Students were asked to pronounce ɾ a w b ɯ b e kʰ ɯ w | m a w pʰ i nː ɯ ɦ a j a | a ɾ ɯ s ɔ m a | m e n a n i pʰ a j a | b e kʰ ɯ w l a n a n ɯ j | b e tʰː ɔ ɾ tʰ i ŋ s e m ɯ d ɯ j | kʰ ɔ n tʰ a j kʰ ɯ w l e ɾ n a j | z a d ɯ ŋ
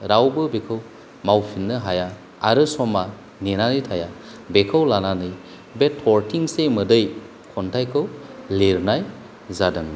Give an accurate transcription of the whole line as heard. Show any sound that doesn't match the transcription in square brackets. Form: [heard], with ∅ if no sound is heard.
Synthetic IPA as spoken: ɾ a w b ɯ b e kʰ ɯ w | m a w pʰ i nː ɯ ɦ a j a | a ɾ ɯ s ɔ m a | [n] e n a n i [tʰ] a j a | b e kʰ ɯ w l a n a n ɯ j | b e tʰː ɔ ɾ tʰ i ŋ s e m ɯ d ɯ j | kʰ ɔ n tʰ a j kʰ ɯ w l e ɾ n a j | z a d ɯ ŋ